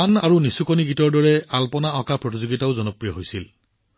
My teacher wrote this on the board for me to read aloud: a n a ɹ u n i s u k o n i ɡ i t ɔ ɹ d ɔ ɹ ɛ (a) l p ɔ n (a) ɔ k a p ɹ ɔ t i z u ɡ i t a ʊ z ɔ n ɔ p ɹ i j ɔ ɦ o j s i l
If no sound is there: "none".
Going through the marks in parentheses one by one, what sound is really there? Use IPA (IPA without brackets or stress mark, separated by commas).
a, a